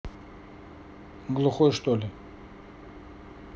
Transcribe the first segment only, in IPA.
ɡ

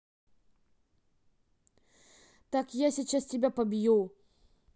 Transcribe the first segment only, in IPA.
t̪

